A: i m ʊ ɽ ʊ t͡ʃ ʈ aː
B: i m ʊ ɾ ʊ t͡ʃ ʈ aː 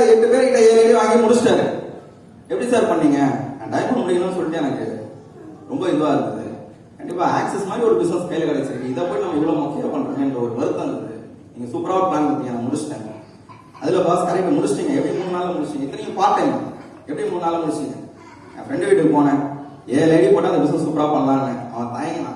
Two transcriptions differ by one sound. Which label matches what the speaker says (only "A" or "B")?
A